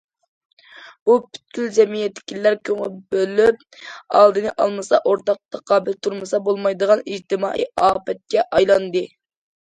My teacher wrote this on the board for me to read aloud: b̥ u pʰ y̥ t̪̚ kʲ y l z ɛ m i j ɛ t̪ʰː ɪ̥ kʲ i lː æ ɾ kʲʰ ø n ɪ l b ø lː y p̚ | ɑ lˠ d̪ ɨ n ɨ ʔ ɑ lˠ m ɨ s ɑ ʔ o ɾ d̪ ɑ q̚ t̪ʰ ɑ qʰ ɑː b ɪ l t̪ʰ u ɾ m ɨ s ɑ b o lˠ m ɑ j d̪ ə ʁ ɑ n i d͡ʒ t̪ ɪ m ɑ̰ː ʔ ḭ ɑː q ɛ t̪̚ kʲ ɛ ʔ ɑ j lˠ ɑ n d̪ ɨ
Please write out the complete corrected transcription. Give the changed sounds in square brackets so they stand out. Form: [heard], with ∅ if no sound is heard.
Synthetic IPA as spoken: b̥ u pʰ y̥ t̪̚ kʲ y l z ɛ m i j ɛ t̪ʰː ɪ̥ kʲ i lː æ ɾ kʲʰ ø [ŋ] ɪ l b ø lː y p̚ | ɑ lˠ d̪ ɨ n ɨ ʔ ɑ lˠ m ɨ s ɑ ʔ o ɾ [t̪] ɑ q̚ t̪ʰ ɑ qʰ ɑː b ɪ l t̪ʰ u ɾ m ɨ s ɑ b o lˠ m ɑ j d̪ ə ʁ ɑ n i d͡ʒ t̪ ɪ m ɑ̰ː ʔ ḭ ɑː [p] ɛ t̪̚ kʲ ɛ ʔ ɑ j lˠ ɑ n d̪ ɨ